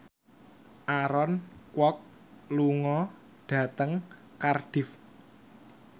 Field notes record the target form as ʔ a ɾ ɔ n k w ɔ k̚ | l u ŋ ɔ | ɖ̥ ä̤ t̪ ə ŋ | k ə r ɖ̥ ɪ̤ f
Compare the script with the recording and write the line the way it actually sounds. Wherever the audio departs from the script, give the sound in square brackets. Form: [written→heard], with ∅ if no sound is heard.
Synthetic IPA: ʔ a ɾ ɔ n k w ɔ k̚ | l u ŋ ɔ | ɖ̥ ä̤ t̪ ə ŋ | k [ə→a] r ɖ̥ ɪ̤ f